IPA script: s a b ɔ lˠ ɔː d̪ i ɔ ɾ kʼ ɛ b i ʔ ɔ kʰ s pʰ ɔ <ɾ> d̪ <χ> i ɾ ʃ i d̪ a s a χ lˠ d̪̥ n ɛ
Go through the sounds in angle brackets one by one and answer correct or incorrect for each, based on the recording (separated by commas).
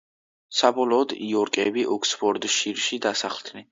correct, incorrect